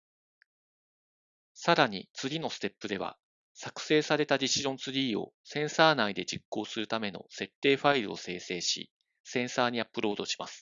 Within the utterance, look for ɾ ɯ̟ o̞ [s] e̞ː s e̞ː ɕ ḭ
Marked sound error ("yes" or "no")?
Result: no